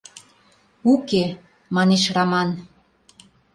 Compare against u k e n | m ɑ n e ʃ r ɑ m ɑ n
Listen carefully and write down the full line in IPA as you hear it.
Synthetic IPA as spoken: u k e | m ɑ n e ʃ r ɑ m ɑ n